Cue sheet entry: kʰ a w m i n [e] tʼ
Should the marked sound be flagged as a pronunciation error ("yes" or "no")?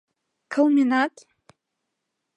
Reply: yes